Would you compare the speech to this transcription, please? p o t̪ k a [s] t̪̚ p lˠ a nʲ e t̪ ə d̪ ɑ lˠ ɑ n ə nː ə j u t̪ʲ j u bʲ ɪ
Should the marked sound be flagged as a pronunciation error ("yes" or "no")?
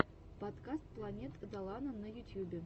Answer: no